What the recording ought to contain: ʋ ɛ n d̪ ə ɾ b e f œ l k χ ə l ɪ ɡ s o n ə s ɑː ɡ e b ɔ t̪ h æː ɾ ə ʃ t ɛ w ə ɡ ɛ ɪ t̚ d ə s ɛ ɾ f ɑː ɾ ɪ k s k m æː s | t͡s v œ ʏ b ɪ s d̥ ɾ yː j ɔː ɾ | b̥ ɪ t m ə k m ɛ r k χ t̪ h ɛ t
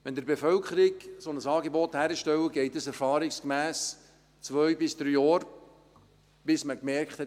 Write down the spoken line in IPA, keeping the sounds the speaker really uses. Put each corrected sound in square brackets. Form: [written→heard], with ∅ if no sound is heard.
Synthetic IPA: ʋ ɛ n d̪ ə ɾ b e f œ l k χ ə [l→ɾ] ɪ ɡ s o n ə s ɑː ɡ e b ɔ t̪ h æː ɾ ə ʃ t ɛ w ə ɡ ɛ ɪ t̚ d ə s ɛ ɾ f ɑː ɾ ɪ k s k m æː s | t͡s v œ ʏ b ɪ s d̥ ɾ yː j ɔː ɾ | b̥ ɪ [t→s] m ə k m ɛ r k χ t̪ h ɛ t